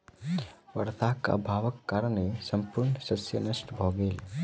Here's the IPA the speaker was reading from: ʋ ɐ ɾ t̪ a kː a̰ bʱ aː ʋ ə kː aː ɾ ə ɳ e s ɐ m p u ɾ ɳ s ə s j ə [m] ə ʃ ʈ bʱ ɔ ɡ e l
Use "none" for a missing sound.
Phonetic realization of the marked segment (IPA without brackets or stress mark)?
n